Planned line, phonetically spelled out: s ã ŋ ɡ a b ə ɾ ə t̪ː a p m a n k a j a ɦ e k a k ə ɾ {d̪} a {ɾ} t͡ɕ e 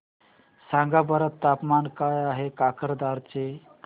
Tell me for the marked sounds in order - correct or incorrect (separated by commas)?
correct, correct